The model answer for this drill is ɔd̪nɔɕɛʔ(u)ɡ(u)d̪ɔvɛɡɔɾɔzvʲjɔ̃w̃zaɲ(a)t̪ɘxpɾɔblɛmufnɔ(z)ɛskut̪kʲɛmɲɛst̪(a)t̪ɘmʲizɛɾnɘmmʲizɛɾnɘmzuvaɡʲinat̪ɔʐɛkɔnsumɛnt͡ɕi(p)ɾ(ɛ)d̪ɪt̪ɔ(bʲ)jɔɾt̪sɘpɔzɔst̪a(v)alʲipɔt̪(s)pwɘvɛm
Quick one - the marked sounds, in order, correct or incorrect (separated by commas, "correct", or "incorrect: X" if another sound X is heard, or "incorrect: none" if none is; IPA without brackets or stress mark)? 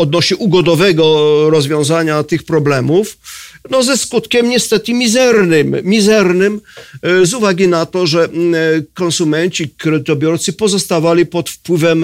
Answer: correct, incorrect: ɔ, correct, correct, incorrect: ɛ, incorrect: k, correct, correct, correct, incorrect: f